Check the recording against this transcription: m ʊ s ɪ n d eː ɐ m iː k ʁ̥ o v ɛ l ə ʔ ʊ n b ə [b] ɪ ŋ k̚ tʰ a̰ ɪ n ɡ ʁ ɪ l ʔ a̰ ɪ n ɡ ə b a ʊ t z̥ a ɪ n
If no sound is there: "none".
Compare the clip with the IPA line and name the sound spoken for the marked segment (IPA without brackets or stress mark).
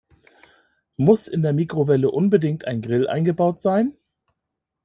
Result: d